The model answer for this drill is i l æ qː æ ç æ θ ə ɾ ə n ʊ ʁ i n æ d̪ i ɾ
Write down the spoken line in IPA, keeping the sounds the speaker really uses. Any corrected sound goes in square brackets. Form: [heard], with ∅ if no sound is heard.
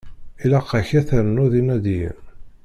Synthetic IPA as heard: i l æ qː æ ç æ θ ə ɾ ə n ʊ [ð] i n æ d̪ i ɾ